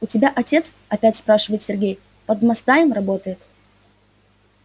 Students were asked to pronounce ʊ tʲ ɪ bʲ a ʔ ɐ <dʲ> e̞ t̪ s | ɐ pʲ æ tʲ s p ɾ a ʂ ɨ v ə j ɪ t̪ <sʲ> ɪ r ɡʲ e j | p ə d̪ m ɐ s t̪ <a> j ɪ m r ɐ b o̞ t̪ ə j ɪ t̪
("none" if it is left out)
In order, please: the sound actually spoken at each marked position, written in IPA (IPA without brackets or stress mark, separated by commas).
tʲ, sʲ, a